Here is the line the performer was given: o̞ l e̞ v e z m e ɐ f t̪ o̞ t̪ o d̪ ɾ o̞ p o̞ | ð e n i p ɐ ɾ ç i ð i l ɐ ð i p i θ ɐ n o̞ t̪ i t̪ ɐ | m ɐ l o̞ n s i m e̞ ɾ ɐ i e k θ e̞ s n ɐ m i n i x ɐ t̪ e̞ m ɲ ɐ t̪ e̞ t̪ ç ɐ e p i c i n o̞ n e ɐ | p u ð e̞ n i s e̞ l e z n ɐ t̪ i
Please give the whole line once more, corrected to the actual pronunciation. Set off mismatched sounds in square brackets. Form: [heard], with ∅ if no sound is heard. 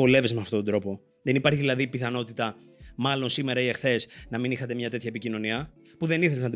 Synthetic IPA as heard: o̞ l e̞ v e z m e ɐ f t̪ o̞ t̪ o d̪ ɾ o̞ p o̞ | ð e n i p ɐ ɾ ç i ð i l ɐ ð i p i θ ɐ n o̞ t̪ i t̪ ɐ | m ɐ l o̞ n s i m e̞ ɾ ɐ i e [x] θ e̞ s n ɐ m i n i x ɐ t̪ e̞ m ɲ ɐ t̪ e̞ t̪ ç ɐ e p i c i n o̞ n [i] ɐ | p u ð e̞ n i [θ] e̞ l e z n ɐ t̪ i